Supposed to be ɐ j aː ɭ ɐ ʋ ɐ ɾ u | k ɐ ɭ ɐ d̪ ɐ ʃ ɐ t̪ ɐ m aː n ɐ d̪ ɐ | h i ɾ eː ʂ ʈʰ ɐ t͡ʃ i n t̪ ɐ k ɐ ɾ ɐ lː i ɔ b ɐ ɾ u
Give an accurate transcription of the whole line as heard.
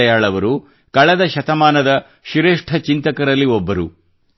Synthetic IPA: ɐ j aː ɭ ɐ ʋ ɐ ɾ u | k ɐ ɭ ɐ d̪ ɐ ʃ ɐ t̪ ɐ m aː n ɐ d̪ ɐ | ʃ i ɾ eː ʂ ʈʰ ɐ t͡ʃ i n t̪ ɐ k ɐ ɾ ɐ lː i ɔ bː ɐ ɾ u